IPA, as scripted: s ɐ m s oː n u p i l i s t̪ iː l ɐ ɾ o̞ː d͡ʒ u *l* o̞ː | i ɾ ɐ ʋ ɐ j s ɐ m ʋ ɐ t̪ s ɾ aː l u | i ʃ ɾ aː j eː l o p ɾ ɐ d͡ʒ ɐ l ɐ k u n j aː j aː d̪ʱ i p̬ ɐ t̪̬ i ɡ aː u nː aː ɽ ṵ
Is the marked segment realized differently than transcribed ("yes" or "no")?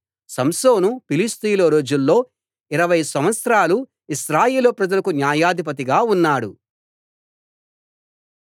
yes